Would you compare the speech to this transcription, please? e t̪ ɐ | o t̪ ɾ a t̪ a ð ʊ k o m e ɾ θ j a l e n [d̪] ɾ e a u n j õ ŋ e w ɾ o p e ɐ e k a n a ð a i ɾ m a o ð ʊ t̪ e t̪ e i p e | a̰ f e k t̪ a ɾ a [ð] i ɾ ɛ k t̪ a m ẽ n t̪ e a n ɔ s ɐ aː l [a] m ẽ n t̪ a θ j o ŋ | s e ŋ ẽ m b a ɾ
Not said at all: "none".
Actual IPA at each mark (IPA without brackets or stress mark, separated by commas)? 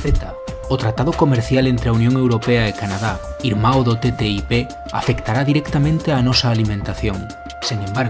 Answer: t̪, ð, i